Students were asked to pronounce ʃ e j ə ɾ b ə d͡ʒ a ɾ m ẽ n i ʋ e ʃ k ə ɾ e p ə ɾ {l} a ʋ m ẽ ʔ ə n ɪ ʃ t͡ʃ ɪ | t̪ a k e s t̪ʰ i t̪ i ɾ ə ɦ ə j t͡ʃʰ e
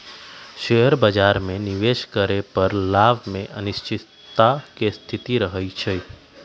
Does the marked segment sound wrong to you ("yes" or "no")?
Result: no